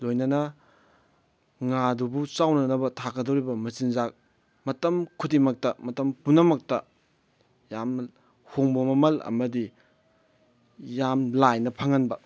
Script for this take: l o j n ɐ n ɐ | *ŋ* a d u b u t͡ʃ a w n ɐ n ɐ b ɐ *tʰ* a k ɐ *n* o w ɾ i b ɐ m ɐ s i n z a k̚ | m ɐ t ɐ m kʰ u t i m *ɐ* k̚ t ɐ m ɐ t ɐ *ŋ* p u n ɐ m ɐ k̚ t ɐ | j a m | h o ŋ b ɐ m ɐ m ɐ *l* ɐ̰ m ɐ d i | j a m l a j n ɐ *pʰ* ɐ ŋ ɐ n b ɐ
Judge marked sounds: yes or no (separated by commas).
yes, yes, no, yes, no, yes, yes